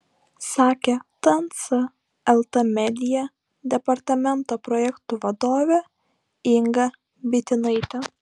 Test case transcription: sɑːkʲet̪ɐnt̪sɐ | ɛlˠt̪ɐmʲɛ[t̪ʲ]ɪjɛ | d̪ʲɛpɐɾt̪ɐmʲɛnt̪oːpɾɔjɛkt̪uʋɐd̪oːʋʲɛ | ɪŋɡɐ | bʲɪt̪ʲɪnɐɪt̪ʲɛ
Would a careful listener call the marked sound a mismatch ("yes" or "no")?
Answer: yes